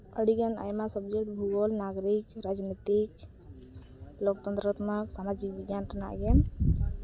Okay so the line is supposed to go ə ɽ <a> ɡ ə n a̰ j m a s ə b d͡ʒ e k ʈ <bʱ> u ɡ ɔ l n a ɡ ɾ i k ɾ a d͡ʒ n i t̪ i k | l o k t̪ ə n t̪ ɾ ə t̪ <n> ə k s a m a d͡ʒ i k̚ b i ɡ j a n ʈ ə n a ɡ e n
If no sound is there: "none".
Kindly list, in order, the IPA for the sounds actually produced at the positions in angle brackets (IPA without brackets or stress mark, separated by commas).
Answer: i, bʱ, m